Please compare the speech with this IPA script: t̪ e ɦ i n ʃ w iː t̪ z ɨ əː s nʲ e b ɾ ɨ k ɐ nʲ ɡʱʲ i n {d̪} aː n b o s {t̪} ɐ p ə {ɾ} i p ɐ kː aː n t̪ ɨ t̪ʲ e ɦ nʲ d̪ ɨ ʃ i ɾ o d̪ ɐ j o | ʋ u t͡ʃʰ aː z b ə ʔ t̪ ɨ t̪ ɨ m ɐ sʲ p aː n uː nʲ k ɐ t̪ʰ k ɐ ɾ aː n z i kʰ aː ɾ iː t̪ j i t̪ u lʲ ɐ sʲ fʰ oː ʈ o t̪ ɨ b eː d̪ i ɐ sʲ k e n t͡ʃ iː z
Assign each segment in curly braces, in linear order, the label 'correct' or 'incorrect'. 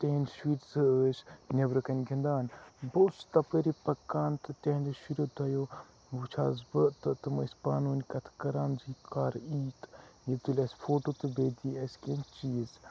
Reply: correct, correct, correct

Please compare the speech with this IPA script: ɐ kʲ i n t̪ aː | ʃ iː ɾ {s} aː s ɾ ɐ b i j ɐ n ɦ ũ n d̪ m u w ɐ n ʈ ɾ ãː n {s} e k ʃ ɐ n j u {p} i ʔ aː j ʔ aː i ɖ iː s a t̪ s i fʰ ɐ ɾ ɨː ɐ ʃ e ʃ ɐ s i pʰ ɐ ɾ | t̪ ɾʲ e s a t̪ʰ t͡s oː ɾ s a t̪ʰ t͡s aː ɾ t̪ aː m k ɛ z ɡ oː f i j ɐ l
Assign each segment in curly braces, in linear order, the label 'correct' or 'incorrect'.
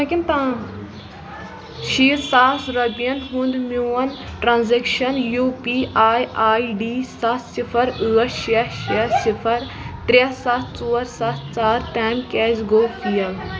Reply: correct, incorrect: z, correct

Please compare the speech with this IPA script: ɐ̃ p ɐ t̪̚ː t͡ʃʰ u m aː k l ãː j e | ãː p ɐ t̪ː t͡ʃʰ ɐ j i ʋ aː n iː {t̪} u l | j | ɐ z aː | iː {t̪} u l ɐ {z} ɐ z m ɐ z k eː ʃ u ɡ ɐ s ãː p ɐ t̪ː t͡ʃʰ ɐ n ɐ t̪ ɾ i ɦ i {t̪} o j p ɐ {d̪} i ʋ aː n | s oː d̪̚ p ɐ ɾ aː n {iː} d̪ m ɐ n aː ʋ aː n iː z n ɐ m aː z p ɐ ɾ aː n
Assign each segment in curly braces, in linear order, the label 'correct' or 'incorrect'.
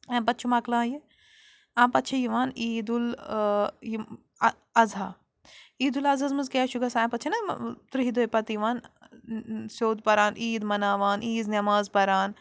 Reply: incorrect: d̪, incorrect: d̪, correct, incorrect: d̪, incorrect: t̪, correct

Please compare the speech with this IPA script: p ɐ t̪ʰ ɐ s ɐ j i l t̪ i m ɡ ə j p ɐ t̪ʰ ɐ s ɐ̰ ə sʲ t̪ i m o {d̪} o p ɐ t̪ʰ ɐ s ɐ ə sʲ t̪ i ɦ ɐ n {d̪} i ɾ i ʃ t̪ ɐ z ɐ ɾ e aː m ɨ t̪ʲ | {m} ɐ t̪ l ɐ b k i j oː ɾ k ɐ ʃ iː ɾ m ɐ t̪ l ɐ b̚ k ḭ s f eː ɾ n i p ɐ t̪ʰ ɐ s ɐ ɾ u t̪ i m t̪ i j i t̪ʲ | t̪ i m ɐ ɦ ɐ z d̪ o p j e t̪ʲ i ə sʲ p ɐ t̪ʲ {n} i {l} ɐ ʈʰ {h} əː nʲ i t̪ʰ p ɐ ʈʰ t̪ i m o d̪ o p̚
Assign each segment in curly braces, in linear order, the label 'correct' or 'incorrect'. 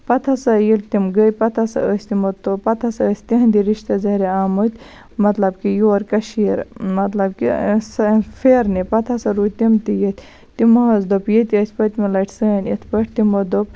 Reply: incorrect: t̪, correct, correct, incorrect: m, correct, incorrect: s

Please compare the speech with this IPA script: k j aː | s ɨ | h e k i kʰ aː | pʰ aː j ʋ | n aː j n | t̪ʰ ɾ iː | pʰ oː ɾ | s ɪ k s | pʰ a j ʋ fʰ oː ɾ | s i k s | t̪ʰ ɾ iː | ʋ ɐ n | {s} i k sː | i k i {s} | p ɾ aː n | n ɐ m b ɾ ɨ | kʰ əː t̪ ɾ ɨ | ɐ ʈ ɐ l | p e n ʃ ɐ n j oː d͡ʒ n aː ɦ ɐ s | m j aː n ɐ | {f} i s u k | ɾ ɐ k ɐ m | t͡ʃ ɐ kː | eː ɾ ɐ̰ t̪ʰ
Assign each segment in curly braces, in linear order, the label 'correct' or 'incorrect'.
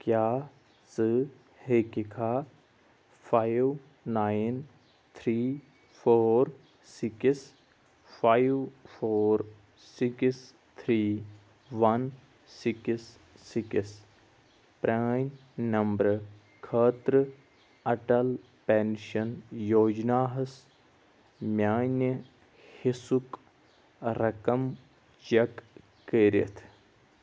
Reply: correct, correct, incorrect: h

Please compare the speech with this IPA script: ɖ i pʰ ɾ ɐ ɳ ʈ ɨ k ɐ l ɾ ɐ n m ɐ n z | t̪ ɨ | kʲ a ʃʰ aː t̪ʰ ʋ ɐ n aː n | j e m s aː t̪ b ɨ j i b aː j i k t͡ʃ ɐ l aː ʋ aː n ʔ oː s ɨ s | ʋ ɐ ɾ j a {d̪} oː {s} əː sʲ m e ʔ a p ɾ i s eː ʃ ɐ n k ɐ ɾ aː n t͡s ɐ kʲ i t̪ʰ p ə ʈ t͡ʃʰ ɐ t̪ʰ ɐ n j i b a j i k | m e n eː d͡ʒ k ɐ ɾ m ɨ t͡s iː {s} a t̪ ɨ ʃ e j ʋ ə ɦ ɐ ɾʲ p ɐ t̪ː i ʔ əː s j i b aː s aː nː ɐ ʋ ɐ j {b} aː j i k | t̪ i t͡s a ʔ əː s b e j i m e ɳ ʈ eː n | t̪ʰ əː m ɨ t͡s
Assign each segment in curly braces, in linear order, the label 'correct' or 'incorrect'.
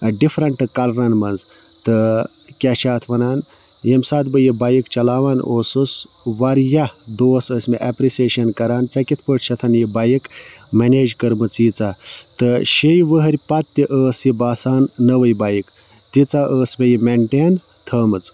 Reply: correct, correct, incorrect: t͡s, correct

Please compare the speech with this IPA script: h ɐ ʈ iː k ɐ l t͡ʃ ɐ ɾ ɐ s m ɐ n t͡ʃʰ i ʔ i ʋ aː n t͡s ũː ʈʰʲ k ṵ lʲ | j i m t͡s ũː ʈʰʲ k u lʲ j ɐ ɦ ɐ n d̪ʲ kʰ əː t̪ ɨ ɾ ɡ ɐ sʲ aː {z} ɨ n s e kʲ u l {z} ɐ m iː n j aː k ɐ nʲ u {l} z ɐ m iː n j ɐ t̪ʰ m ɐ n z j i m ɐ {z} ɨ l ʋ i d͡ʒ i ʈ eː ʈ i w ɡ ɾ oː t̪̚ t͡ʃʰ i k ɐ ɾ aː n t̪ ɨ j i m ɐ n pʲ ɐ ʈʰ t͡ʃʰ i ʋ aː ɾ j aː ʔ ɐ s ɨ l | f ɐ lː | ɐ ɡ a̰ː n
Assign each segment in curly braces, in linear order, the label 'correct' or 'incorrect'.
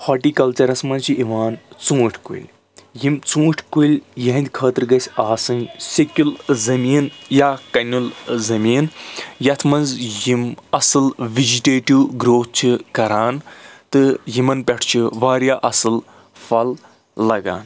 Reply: incorrect: s, correct, correct, incorrect: s

